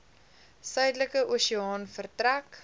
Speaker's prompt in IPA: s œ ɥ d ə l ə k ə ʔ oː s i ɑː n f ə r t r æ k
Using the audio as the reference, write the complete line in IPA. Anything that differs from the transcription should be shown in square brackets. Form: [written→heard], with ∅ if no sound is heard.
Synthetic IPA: s œ ɥ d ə l ə k ə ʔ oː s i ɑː n f ə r t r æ k